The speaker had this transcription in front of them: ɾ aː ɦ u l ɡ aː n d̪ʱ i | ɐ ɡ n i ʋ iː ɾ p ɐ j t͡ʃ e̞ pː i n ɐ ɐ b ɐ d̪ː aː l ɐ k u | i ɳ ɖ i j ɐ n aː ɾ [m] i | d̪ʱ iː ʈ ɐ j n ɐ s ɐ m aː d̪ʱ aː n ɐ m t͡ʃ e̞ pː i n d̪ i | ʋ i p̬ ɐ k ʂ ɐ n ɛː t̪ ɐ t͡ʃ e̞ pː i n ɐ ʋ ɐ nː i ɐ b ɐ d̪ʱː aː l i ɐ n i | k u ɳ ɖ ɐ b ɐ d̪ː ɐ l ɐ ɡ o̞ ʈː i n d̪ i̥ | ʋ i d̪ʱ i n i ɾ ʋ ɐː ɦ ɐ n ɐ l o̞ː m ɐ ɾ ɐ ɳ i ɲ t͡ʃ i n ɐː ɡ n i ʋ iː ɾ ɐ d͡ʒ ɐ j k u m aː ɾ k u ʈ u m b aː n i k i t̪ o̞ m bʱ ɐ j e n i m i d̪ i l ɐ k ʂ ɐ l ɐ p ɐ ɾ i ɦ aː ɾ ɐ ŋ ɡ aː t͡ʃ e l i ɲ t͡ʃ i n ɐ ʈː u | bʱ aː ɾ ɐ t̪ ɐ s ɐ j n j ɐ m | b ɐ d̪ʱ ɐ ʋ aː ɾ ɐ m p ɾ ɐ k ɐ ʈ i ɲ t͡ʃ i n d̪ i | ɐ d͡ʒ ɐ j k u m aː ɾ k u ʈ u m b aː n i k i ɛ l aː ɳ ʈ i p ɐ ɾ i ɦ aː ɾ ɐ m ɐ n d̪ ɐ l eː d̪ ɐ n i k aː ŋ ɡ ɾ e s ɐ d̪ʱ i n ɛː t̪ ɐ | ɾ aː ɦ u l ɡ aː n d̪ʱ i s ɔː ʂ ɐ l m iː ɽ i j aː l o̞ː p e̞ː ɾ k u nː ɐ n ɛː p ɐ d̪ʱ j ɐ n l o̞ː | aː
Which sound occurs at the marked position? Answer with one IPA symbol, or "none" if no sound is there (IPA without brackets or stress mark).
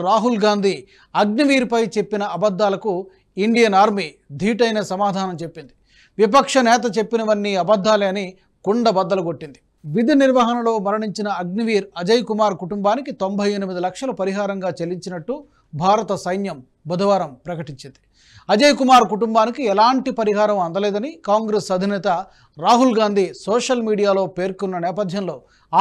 m